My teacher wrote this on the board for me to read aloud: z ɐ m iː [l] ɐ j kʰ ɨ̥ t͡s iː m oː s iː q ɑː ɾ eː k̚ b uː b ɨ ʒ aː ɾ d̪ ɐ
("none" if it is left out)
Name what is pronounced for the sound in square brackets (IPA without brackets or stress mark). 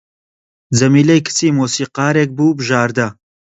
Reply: l